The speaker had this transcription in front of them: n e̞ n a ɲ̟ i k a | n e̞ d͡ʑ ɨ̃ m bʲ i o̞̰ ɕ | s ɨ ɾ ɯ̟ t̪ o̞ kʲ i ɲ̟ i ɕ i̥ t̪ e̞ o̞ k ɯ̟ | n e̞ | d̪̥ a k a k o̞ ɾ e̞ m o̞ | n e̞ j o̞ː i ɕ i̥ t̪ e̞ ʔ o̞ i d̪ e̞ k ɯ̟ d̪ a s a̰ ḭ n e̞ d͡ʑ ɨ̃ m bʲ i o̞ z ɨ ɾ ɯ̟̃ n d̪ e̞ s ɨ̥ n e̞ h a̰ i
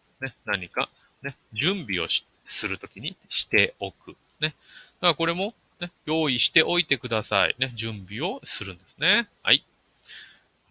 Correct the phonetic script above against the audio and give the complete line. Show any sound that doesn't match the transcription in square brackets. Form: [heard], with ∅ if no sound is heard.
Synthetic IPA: n e̞ n a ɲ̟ i k a | n e̞ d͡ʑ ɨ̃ m bʲ i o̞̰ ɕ | s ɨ ɾ ɯ̟ t̪ o̞ kʲ i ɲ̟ i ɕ i̥ t̪ e̞ o̞ k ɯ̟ | n e̞ | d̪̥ a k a k o̞ ɾ e̞ m o̞ | n e̞ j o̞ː i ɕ i̥ t̪ e̞ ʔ o̞ i [t̪] e̞ k ɯ̟ d̪ a s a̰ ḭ n e̞ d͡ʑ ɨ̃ m bʲ i o̞ [s] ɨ ɾ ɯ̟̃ n d̪ e̞ s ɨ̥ n e̞ h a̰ i